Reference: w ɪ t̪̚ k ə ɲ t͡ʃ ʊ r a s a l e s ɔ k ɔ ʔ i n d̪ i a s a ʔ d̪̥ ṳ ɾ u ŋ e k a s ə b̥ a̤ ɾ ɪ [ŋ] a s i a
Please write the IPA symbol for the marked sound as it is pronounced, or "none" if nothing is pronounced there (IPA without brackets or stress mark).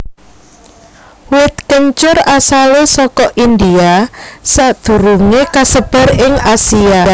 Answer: ŋ